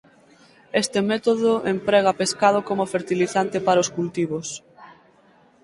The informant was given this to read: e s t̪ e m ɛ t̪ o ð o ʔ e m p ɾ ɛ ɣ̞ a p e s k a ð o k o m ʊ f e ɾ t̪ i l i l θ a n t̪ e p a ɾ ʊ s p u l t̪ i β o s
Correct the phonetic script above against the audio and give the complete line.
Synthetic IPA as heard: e s t̪ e m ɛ t̪ o ð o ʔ e m p ɾ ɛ ɣ̞ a p e s k a ð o k o m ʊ f e ɾ t̪ i l i θ a n t̪ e p a ɾ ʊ s k u l t̪ i β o s